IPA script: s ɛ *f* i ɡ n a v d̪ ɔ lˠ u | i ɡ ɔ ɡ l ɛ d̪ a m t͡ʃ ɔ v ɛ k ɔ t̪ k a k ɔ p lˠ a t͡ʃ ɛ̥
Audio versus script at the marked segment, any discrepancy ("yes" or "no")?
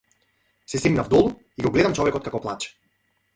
yes